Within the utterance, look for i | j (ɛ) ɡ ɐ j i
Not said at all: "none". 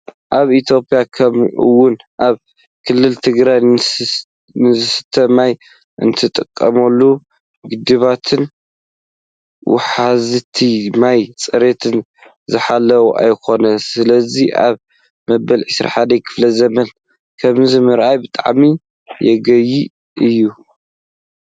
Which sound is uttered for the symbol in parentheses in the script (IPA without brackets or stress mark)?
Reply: ɛ